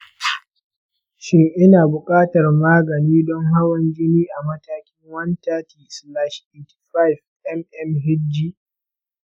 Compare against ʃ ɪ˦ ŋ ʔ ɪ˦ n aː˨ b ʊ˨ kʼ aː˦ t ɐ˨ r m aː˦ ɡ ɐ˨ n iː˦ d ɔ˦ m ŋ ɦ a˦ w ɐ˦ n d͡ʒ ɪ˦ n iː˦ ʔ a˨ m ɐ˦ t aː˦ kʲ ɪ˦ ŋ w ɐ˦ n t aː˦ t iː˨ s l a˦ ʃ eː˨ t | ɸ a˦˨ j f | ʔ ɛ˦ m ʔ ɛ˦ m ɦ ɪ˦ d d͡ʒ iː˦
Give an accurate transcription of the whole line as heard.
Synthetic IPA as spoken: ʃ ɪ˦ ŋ ʔ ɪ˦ n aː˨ b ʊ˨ kʼ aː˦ t ɐ˨ r m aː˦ ɡ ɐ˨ n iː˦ d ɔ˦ ŋ ɦ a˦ w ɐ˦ n d͡ʒ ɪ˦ n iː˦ ʔ a˨ m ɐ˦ t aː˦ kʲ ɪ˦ ŋ w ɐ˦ n t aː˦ t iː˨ s l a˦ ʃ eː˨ t | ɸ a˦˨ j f | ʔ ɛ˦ m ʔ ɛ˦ m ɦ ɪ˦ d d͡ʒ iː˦